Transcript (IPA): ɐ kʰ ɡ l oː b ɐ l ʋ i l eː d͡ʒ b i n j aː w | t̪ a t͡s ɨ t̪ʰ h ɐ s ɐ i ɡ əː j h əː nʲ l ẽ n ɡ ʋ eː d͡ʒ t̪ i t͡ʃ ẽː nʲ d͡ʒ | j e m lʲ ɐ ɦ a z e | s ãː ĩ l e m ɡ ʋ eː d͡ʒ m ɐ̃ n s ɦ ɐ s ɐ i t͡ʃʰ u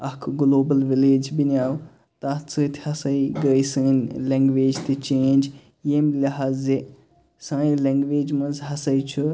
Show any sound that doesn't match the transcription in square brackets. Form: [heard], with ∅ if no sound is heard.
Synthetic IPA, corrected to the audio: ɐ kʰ ɡ l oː b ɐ l ʋ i l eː d͡ʒ b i n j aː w | t̪ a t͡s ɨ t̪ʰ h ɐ s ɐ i ɡ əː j [s] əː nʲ l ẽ [ŋ] ɡ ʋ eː d͡ʒ t̪ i t͡ʃ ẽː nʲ d͡ʒ | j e m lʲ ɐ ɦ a z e | s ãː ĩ l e [ŋ] ɡ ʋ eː d͡ʒ m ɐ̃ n [z] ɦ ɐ s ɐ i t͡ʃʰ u